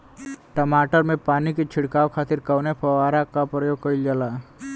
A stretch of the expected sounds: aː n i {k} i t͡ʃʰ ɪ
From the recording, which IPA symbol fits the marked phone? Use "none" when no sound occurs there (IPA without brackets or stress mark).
k